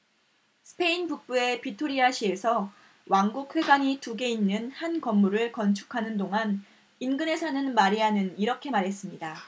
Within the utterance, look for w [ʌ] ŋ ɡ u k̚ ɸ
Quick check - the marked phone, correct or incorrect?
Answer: incorrect